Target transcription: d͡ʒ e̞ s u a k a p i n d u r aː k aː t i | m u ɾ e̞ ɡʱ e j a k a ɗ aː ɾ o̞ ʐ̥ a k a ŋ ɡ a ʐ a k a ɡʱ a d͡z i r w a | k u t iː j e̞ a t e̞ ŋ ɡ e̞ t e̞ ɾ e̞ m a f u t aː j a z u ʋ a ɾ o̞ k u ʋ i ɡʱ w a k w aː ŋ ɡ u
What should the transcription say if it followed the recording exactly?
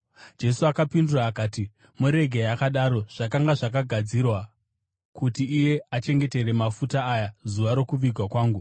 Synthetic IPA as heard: d͡ʒ e̞ s u a k a p i n d u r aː k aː t i | m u ɾ e̞ ɡʱ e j a k a ɗ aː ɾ o̞ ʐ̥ a k a ŋ ɡ a ʐ a k a ɡʱ a d͡z i r w a | k u t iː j e̞ a t͡ʃ e̞ ŋ ɡ e̞ t e̞ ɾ e̞ m a f u t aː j a z u ʋ a ɾ o̞ k u ʋ i ɡʱ w a k w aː ŋ ɡ u